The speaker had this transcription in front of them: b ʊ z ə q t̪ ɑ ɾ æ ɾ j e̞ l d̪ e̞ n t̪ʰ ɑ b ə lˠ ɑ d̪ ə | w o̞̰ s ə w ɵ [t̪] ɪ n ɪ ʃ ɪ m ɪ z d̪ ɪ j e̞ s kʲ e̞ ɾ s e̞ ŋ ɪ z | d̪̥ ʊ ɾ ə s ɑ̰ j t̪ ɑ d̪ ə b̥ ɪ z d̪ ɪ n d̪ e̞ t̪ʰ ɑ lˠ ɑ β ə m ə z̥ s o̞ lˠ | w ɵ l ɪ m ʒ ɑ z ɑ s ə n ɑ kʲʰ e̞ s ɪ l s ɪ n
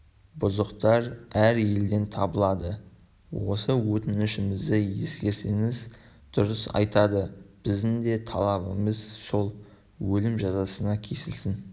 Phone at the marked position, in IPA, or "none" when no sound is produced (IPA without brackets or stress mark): t̪